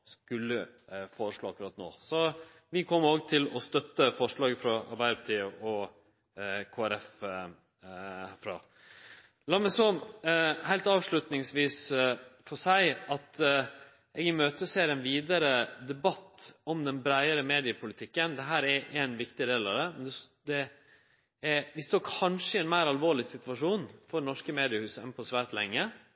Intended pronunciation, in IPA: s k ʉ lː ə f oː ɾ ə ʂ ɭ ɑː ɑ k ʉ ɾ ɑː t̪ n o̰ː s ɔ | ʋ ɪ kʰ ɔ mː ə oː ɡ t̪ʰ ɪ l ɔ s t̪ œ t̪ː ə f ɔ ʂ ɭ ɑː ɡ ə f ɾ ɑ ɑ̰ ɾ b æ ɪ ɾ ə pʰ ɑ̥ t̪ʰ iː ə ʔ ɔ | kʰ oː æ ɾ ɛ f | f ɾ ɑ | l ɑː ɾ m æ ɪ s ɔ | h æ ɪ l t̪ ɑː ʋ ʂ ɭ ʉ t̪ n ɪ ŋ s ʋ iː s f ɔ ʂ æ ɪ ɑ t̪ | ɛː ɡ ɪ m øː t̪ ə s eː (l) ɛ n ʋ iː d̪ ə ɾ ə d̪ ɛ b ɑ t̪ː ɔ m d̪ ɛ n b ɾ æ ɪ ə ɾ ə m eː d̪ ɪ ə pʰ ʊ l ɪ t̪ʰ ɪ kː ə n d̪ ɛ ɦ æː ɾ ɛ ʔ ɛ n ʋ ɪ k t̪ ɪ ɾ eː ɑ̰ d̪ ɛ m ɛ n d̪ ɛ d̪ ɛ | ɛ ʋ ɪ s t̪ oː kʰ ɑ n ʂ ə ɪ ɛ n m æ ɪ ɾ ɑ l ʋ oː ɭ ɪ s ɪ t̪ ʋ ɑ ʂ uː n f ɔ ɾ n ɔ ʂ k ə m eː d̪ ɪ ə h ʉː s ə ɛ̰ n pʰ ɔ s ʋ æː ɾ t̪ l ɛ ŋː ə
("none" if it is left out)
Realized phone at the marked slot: ɾ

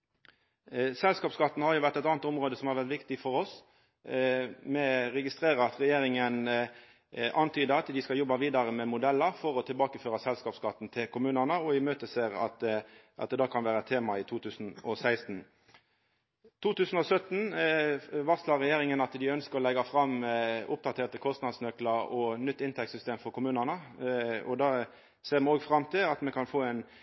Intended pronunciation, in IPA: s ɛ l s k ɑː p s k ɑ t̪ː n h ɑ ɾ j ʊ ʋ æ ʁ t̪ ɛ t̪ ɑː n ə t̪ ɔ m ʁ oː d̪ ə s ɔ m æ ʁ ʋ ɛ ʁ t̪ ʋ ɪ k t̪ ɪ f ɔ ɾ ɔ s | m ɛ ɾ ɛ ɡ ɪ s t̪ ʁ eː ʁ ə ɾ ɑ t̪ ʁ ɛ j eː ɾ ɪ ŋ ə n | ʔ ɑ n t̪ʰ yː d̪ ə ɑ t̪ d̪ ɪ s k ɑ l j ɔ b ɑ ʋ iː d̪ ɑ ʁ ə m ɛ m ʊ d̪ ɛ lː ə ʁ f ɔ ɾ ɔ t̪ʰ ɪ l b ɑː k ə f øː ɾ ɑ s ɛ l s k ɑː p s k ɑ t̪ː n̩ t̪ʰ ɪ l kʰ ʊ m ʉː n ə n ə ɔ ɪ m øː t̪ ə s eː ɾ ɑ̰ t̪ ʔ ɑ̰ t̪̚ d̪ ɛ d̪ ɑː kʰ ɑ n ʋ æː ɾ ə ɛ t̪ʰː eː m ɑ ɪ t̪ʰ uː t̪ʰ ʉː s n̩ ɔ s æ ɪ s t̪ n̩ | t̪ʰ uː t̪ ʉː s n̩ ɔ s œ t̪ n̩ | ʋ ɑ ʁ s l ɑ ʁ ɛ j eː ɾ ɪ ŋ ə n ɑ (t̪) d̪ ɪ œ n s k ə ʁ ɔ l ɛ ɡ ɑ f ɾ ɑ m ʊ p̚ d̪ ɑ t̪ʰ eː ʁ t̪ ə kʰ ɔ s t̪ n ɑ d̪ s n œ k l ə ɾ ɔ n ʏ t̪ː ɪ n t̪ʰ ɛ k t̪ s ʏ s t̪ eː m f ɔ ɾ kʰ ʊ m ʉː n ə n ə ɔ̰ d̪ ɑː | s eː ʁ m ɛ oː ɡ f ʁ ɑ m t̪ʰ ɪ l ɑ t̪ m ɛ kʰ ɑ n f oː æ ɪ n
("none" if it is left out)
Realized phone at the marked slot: t̪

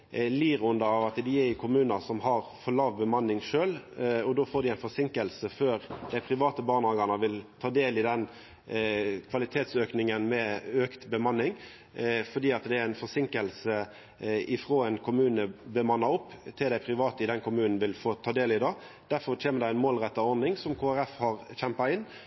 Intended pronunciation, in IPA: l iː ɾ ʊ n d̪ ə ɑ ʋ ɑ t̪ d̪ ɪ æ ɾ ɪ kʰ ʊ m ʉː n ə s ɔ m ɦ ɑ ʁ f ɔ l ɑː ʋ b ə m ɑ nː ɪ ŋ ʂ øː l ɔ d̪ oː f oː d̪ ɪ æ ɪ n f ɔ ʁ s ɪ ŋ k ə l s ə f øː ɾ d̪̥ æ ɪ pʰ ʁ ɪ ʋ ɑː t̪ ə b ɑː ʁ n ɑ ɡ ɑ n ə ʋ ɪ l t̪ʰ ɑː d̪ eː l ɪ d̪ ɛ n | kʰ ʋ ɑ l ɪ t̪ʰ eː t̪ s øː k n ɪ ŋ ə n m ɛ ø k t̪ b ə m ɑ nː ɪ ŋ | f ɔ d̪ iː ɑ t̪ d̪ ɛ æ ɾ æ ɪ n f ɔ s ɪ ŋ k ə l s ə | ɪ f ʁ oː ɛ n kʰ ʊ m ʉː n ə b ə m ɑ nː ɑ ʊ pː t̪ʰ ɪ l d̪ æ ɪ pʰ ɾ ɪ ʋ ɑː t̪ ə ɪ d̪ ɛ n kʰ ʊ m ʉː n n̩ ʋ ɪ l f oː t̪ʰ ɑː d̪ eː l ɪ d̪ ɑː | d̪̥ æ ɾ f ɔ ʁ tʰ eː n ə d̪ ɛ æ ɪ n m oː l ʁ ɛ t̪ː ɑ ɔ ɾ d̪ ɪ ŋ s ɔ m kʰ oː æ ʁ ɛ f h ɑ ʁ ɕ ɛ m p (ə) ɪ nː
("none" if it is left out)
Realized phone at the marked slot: ɑ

